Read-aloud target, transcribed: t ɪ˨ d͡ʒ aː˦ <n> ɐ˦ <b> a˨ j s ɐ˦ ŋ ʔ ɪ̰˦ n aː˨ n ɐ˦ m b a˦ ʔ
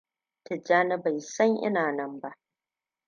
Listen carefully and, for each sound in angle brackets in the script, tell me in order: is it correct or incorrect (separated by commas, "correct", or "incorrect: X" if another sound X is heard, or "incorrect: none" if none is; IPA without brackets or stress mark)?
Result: correct, correct